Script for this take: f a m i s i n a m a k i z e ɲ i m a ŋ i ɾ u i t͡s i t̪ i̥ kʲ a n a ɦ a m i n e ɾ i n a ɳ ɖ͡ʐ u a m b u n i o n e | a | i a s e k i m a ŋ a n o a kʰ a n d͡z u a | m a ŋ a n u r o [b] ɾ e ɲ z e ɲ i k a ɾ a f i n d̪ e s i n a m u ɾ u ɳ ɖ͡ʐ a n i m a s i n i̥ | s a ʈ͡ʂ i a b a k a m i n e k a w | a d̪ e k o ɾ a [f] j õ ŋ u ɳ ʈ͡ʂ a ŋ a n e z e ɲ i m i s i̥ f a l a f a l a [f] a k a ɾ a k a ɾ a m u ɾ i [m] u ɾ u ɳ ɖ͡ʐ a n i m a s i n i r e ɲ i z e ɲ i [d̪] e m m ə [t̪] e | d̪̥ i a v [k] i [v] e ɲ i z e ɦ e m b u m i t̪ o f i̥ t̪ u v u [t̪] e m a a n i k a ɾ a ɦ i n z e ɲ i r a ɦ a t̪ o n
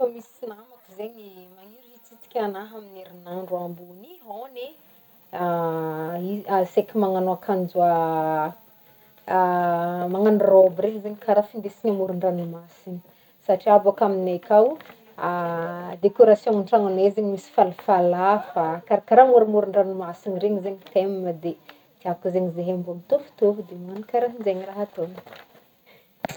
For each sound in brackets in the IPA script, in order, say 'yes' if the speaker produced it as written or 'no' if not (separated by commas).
yes, no, yes, yes, no, no, yes, no, no